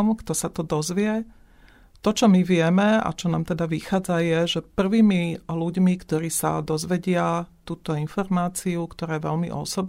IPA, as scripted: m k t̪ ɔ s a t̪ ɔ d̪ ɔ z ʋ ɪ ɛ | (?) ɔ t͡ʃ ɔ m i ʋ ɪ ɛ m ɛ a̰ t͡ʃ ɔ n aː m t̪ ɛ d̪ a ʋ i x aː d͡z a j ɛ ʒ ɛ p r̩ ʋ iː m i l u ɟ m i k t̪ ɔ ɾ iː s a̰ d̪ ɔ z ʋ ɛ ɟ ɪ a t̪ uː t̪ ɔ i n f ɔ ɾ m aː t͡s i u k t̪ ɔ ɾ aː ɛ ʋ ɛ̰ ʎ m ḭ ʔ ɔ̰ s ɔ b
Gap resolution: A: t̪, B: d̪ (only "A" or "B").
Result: A